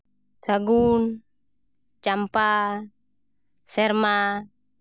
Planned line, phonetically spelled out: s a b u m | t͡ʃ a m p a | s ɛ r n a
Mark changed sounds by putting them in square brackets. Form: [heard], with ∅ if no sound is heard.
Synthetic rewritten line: s a [ɡ] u [n] | t͡ʃ a m p a | s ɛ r [m] a